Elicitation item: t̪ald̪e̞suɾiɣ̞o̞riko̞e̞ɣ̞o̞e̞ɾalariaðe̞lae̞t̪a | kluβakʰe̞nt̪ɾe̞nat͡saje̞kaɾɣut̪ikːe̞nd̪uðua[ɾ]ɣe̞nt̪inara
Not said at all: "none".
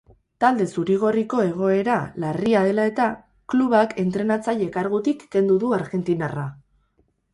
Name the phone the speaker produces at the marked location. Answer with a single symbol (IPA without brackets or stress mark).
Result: ɾ